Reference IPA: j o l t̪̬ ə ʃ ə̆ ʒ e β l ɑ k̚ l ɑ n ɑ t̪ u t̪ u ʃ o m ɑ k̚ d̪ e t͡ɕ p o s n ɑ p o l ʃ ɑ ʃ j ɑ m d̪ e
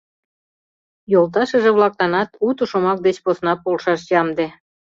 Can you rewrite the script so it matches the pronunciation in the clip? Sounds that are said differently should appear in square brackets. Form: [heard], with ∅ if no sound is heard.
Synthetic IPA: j o l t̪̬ [ɑ] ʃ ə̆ ʒ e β l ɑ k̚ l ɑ n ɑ t̪ u t̪ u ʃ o m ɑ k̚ d̪ e t͡ɕ p o s n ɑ p o l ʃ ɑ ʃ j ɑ m d̪ e